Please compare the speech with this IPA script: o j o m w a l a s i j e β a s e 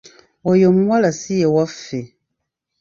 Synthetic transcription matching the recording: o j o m w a l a s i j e w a f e